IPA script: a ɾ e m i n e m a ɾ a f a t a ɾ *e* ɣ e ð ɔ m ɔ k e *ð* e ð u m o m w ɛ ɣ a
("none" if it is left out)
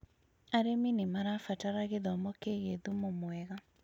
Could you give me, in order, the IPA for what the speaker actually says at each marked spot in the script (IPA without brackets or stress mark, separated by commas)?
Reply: a, ɣ